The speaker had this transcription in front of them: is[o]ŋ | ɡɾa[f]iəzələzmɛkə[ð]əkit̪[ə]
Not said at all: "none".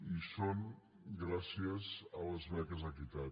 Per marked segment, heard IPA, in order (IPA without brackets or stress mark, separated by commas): o, s, z, a